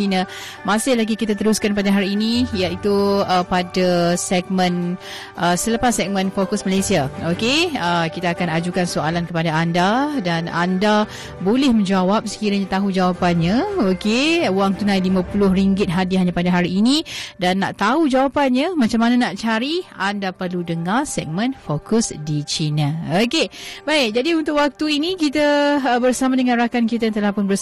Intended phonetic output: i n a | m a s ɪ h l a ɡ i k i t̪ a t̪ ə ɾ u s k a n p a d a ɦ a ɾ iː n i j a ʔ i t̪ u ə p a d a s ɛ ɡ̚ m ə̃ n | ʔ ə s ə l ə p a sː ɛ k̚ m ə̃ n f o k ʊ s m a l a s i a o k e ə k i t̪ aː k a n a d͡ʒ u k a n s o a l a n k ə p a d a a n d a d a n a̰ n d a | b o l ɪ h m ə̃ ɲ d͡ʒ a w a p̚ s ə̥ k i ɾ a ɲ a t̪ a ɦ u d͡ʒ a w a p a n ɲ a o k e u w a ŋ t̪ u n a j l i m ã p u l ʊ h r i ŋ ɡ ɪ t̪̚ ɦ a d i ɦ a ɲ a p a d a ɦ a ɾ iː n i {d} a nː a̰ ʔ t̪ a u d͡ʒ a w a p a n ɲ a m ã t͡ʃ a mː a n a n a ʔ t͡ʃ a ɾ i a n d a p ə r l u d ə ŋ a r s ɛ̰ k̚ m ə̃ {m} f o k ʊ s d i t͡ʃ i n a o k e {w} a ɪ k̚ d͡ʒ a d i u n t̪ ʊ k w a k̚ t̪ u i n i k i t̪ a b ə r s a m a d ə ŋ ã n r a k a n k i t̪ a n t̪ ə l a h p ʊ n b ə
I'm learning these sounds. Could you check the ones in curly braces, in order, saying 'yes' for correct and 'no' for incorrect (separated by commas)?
yes, no, no